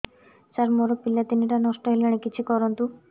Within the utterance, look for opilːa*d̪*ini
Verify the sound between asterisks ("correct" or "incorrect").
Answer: incorrect